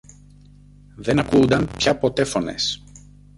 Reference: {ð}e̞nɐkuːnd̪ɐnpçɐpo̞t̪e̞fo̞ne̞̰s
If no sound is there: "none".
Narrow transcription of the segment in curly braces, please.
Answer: ð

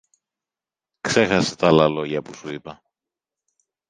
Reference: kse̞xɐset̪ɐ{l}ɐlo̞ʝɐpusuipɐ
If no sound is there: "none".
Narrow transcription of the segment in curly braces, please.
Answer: l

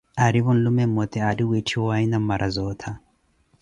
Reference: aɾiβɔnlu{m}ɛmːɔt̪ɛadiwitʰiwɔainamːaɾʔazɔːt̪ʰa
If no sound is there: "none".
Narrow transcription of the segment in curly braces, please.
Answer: m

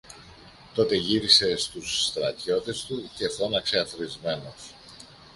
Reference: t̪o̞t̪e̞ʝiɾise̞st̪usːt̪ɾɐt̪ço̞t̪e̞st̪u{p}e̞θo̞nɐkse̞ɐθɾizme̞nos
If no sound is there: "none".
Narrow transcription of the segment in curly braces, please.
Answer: c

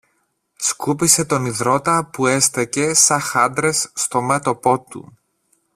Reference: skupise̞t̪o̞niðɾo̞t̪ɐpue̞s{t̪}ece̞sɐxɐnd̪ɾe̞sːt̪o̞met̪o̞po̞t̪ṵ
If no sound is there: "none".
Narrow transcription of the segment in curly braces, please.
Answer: t̪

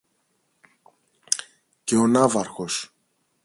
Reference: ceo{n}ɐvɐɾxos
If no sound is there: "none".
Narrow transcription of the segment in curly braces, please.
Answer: n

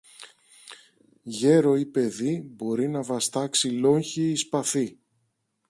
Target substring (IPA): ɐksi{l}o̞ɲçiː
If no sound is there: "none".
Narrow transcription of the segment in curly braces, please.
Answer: l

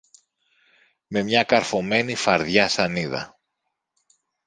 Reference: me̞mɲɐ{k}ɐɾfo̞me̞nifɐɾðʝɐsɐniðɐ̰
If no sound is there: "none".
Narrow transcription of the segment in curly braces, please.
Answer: k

